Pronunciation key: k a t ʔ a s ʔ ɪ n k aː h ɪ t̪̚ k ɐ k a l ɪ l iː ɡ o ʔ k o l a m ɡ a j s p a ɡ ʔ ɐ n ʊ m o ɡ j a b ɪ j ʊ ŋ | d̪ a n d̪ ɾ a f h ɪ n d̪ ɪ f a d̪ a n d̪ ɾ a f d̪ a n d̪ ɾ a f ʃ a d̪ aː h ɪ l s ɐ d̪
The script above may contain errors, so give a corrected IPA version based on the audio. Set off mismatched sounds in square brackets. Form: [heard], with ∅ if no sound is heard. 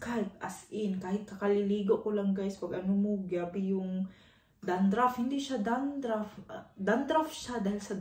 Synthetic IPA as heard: k a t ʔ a s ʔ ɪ n k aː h ɪ t̪̚ k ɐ k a l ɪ l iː ɡ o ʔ k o l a [ŋ] ɡ a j s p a ɡ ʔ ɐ n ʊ m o ɡ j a b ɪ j ʊ ŋ | d̪ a n d̪ ɾ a f h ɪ n d̪ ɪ [ʃ] a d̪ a n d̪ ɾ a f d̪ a n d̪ ɾ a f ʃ a d̪ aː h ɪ l s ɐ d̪